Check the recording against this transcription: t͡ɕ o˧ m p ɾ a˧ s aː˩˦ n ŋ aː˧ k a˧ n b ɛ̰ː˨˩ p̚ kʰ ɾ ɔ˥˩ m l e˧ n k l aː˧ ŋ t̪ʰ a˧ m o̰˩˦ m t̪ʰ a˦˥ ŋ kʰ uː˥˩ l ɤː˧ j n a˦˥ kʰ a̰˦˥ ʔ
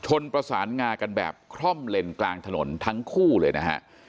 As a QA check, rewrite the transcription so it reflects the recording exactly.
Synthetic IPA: t͡ɕʰ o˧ n p ɾ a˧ s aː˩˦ n ŋ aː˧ k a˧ n b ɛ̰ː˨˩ p̚ kʰ ɾ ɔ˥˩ m l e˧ n k l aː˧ ŋ t̪ʰ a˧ n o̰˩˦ n t̪ʰ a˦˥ ŋ kʰ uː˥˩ l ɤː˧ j n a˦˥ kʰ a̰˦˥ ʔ